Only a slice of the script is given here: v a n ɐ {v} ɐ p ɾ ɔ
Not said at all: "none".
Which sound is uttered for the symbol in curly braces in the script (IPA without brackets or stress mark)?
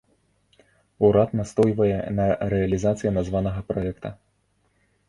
ɣ